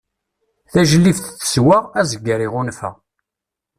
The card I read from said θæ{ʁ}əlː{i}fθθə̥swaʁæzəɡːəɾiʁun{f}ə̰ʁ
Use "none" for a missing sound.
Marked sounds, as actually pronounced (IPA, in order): ʒ, i, f

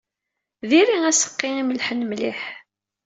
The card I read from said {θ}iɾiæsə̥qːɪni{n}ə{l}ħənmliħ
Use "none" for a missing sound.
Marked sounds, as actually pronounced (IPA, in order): ð, m, l

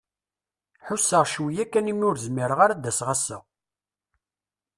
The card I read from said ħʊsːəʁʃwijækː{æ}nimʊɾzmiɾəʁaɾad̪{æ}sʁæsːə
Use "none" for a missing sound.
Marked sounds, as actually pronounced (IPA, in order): æ, æ

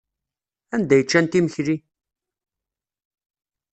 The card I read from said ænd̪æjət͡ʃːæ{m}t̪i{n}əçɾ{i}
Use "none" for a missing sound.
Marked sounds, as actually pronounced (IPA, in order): n, m, i

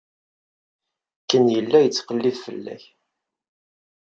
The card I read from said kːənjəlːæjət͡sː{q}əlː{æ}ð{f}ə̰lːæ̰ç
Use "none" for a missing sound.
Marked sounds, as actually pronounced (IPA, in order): q, i, f

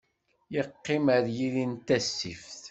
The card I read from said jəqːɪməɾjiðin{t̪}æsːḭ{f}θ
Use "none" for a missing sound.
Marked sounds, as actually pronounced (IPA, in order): t̪, f

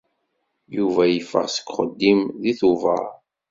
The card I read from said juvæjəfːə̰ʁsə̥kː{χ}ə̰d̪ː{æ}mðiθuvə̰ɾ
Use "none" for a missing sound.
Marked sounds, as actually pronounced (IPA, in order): χ, i

